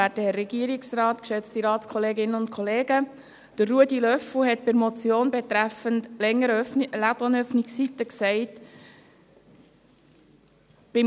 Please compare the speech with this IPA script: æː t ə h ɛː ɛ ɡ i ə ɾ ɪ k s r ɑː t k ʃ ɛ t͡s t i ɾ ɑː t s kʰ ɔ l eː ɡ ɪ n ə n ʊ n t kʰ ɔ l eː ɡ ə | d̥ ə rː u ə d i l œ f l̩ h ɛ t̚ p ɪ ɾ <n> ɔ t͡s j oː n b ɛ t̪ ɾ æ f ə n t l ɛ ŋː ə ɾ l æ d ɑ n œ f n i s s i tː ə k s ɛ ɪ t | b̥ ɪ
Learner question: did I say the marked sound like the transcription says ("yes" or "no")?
no